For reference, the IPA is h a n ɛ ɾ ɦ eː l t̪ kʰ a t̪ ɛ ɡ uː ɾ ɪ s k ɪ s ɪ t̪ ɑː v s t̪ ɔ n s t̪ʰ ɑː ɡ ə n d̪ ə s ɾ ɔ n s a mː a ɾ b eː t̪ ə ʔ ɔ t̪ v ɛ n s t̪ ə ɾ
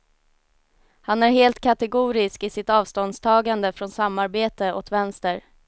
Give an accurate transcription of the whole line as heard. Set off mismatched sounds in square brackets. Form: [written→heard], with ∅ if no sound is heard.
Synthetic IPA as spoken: h a n [ɛ→æ] ɾ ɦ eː l t̪ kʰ a t̪ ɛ ɡ uː ɾ ɪ s k ɪ s ɪ t̪ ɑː v s t̪ ɔ n s t̪ʰ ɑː ɡ [ə→a] n d̪ ə [s→f] ɾ ɔ n s a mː a ɾ b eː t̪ ə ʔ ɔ t̪ v ɛ n s t̪ ə ɾ

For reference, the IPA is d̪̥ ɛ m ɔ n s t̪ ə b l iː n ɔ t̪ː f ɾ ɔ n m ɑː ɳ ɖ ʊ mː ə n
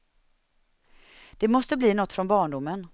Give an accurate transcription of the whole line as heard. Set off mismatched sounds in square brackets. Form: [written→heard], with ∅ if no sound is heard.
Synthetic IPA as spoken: d̪̥ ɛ m ɔ [n→∅] s t̪ ə b l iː n ɔ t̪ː f ɾ ɔ n [m→b] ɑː ɳ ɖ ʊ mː ə n

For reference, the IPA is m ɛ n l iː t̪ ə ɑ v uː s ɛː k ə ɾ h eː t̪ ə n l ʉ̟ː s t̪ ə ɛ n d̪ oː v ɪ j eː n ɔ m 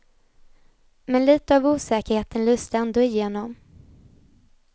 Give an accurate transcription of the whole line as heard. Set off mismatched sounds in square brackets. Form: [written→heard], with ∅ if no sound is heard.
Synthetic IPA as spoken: m ɛ n l iː t̪ ə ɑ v uː s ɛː k ə ɾ h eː t̪ ə n l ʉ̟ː s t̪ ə ɛ n d̪ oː [v→∅] ɪ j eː n ɔ m

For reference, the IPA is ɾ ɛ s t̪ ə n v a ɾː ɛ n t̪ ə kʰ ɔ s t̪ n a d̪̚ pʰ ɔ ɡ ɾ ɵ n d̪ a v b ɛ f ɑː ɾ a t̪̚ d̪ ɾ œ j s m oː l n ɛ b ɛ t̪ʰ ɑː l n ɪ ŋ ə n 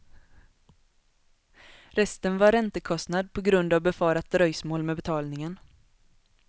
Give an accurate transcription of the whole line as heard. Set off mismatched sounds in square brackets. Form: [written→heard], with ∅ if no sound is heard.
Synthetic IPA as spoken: ɾ ɛ s t̪ ə n v a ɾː ɛ n t̪ ə kʰ ɔ s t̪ n a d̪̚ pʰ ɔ ɡ ɾ ɵ n d̪ a v b ɛ f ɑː ɾ a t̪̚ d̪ ɾ œ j s m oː l [n→m] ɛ b ɛ t̪ʰ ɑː l n ɪ ŋ ə n

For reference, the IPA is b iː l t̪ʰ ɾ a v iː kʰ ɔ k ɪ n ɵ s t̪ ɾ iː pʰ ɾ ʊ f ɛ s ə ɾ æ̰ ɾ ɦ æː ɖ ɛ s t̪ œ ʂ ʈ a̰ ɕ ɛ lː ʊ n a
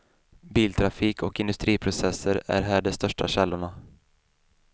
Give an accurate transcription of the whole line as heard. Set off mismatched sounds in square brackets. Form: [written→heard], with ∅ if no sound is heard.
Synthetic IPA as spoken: b iː l t̪ʰ ɾ a [v→f] iː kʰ ɔ k ɪ n ɵ s t̪ ɾ iː pʰ ɾ ʊ [f→s] ɛ s ə ɾ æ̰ ɾ ɦ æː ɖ ɛ s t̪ œ ʂ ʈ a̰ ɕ ɛ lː ʊ [n→ɳ] a

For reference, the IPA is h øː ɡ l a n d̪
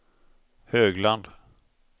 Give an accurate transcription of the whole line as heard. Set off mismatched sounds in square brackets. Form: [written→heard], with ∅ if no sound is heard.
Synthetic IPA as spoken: h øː ɡ l a n d̪

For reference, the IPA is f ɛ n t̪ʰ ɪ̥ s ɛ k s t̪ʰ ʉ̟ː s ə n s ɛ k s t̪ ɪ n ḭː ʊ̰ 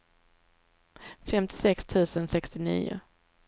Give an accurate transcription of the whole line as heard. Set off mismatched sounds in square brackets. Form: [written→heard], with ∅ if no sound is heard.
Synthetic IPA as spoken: f ɛ [n→m] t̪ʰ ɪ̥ s ɛ k s t̪ʰ ʉ̟ː s ə n s ɛ k s t̪ ɪ n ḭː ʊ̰

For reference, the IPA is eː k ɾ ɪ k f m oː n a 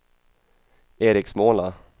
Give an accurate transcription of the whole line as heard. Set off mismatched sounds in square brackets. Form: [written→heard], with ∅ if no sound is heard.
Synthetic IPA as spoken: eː [k→∅] ɾ ɪ k [f→s] m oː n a

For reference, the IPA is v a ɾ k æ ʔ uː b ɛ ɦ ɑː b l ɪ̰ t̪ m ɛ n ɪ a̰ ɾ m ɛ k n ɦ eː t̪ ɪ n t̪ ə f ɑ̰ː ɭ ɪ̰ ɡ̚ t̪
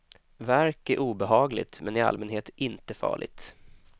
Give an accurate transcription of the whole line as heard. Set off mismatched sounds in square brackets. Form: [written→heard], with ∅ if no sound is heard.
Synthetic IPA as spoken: v [a→æ] ɾ k æ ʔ uː b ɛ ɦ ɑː [b→ɡ] l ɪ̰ t̪ m ɛ n ɪ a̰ [ɾ→l] m ɛ [k→∅] n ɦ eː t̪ ɪ n t̪ ə f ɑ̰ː ɭ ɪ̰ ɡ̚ t̪

